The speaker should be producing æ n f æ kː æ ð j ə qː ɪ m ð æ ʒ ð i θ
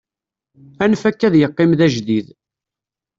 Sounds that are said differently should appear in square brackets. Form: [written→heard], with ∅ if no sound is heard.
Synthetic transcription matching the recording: æ n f æ kː æ ð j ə qː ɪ m ð æ ʒ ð i [θ→ð]